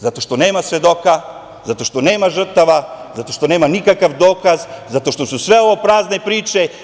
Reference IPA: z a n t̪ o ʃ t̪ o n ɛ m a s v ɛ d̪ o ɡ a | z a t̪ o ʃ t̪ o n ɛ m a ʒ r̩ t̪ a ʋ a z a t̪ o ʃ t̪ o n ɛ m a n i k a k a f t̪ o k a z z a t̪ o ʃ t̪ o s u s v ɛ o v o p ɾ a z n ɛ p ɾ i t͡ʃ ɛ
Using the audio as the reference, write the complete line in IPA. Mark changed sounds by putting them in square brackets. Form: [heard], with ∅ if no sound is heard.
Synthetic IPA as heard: z a [∅] t̪ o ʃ t̪ o n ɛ m a s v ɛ d̪ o [k] a | z a t̪ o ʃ t̪ o n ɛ m a ʒ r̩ t̪ a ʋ a z a t̪ o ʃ t̪ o n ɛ m a n i k a k a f [d̪] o k a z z a t̪ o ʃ t̪ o s u s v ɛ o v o p ɾ a z n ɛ p ɾ i t͡ʃ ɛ